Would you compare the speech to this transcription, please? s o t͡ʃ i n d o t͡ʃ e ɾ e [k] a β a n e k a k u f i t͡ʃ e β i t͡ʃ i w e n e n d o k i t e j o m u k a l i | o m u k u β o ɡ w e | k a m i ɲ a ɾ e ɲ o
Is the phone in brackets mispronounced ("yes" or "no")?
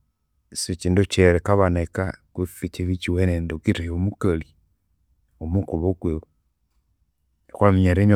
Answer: no